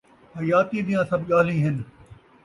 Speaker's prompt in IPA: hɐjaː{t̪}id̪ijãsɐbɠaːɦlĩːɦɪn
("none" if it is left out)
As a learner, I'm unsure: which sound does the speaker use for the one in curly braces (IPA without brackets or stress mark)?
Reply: t̪